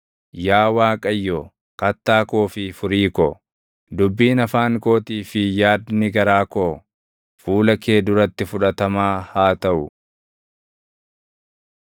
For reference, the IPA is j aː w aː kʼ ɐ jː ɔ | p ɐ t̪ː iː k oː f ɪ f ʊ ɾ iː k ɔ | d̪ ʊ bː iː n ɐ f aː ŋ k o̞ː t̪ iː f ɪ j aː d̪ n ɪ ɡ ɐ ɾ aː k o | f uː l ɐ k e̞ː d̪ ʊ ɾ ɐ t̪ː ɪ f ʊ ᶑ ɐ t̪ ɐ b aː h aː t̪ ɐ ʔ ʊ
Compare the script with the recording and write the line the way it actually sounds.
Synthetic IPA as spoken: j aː w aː kʼ ɐ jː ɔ | k ɐ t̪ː aː k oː f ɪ f ʊ ɾ iː k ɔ | d̪ ʊ bː iː n ɐ f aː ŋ k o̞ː t̪ iː f ɪ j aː d̪ n ɪ ɡ ɐ ɾ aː k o | f uː l ɐ k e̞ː d̪ ʊ ɾ ɐ t̪ː ɪ f ʊ ᶑ ɐ t̪ ɐ m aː h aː t̪ ɐ ʔ ʊ